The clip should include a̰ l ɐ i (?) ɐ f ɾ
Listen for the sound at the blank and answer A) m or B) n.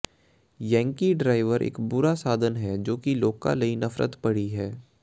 B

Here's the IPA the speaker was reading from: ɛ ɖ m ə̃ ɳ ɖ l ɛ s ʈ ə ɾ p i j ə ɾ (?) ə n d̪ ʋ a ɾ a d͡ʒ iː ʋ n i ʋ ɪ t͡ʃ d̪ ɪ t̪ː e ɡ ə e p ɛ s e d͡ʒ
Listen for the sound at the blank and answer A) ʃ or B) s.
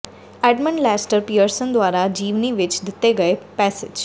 B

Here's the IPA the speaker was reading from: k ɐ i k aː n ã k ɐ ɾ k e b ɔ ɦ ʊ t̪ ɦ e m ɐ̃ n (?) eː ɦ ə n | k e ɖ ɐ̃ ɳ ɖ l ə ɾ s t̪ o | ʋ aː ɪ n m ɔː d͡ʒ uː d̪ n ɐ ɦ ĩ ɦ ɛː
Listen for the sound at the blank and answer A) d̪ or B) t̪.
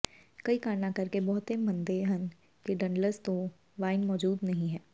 A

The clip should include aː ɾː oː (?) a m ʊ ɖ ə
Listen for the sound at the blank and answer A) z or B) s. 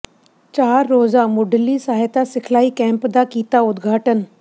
A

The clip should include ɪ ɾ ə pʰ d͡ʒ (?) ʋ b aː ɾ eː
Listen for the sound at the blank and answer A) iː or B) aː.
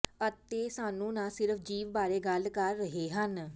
A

